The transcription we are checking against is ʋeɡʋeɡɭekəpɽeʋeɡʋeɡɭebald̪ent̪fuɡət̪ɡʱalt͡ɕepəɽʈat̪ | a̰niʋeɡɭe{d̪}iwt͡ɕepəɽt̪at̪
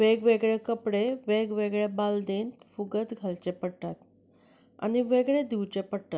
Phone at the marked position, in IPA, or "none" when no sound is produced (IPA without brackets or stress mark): d̪